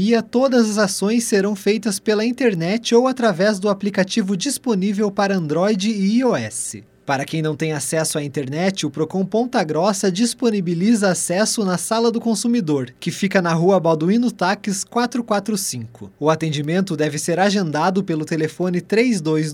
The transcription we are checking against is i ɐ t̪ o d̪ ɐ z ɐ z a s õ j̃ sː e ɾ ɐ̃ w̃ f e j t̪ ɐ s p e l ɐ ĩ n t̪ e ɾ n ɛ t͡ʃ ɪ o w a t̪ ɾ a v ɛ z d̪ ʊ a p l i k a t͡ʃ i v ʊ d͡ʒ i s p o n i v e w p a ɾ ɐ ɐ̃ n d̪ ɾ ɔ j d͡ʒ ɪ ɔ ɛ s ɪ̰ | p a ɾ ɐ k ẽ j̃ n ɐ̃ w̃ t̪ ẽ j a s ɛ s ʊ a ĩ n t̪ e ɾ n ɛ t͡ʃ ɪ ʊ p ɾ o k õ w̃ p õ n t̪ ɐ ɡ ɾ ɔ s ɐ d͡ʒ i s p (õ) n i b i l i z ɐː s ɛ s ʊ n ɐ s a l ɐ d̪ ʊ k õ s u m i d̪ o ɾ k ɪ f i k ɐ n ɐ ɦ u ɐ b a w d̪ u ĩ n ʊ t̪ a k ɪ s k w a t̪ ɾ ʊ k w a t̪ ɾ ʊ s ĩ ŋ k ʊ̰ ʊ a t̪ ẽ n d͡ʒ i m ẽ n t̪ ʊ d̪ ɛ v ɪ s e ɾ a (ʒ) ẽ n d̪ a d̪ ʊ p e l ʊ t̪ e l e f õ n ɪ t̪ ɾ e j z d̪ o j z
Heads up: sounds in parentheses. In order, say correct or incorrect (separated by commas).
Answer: incorrect, correct